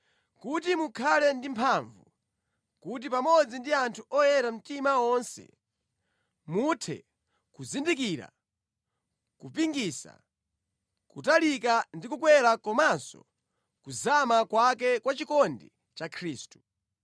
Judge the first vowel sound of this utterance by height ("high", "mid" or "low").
high